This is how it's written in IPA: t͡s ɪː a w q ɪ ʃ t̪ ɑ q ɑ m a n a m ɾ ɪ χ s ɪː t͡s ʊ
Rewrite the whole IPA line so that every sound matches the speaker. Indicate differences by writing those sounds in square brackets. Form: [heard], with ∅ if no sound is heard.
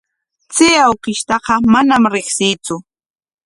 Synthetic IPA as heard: t͡s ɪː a w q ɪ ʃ t̪ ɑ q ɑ m a n a m ɾ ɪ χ s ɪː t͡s ʊ

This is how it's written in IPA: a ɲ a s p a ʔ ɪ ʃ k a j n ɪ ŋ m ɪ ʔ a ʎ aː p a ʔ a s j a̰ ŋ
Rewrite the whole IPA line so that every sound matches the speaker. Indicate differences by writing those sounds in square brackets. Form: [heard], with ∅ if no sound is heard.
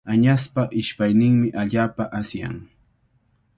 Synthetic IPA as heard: a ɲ a s p a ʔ ɪ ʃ [p] a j n ɪ ŋ m ɪ ʔ a ʎ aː p a ʔ a s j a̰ ŋ

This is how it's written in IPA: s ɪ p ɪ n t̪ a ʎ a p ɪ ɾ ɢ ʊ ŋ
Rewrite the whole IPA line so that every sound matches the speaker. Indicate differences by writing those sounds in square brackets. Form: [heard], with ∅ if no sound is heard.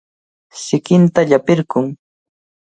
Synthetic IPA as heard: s ɪ [k] ɪ n t̪ a ʎ a p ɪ ɾ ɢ ʊ ŋ

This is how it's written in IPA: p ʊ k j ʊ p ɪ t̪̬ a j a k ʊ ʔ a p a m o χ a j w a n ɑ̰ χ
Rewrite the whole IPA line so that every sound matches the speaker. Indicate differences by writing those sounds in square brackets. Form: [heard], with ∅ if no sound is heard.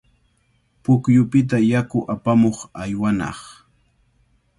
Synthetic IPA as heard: p ʊ k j ʊ p ɪ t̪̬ a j a k ʊ ʔ a p a m o χ a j w a n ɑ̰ χ

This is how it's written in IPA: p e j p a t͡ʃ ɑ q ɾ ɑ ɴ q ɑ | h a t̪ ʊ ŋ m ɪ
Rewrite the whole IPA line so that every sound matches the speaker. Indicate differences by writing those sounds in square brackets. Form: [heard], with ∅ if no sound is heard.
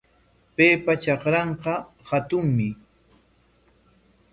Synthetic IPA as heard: p e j p a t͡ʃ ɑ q ɾ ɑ ɴ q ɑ | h a t̪ ʊ ŋ m ɪ

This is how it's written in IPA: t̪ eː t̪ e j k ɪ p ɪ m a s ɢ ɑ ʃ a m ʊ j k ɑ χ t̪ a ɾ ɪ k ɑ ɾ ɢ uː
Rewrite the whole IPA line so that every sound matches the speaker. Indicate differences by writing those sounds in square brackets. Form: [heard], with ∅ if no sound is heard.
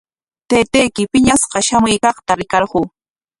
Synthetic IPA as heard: t̪ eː t̪ e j k ɪ p ɪ [ɲ] a s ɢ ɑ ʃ a m ʊ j k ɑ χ t̪ a ɾ ɪ k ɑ ɾ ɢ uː

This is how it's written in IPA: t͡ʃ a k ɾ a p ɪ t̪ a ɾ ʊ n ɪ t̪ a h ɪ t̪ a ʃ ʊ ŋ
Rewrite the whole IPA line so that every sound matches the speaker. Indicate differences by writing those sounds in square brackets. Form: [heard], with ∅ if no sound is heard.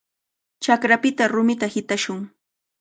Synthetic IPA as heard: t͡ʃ a k ɾ a p ɪ t̪ a ɾ ʊ [m] ɪ t̪ a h ɪ t̪ a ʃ ʊ ŋ

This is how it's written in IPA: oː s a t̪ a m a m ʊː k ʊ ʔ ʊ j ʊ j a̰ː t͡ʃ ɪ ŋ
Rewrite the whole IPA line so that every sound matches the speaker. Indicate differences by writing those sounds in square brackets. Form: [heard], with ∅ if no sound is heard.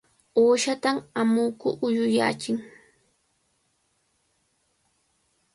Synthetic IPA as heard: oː [ʃ] a t̪ a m a m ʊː k ʊ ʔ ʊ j ʊ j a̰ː t͡ʃ ɪ ŋ

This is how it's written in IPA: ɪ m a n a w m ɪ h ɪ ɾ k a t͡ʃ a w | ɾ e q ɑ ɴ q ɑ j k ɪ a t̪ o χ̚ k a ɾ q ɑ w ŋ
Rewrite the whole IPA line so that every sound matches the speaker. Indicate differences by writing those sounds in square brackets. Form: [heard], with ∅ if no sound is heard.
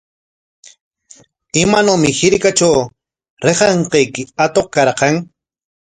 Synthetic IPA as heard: ɪ m a n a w m ɪ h ɪ ɾ k a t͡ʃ a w | ɾ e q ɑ ɴ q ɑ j k ɪ a t̪ o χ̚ k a ɾ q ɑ [∅] ŋ

